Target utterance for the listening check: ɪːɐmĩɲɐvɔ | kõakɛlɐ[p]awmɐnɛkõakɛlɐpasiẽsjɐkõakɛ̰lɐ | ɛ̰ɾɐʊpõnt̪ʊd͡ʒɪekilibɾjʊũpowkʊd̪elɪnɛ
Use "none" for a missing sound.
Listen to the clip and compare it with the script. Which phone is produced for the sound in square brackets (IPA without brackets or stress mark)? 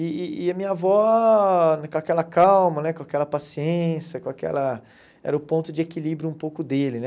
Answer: k